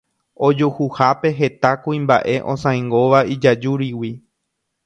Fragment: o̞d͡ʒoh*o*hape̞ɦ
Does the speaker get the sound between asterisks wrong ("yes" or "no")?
yes